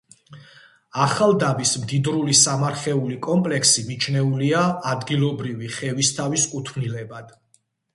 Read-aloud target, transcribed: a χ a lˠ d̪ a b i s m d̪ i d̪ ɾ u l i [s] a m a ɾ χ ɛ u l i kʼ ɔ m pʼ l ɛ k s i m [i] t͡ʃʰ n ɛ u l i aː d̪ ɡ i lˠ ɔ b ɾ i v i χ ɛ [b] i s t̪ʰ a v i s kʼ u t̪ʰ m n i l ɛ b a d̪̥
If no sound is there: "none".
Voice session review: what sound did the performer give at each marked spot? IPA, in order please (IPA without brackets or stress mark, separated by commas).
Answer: s, i, v